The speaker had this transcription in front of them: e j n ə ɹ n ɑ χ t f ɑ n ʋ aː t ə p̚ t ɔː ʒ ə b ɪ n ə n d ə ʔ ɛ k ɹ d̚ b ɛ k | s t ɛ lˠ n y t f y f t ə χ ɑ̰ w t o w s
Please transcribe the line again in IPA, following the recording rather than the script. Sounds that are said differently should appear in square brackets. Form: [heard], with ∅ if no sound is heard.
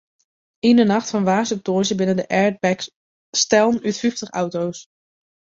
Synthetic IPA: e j n ə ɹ n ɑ χ t f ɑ n ʋ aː [s] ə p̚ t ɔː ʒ ə b ɪ n ə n d ə ʔ ɛ [∅] ɹ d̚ b ɛ k | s t ɛ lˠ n y t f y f t ə χ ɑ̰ w t o w s